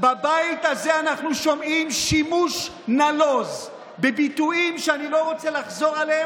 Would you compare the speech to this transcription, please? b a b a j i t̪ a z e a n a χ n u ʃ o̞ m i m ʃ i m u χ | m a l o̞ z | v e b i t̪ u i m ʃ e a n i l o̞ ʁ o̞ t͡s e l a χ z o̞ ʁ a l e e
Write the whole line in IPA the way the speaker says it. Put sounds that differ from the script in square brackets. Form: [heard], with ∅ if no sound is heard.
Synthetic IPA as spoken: b a b a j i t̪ a z e a n a χ n u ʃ o̞ m i m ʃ i m u [ʃ] | [n] a l o̞ z | [b] e b i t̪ u i m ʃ e a n i l o̞ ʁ o̞ t͡s e l a χ z o̞ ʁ a l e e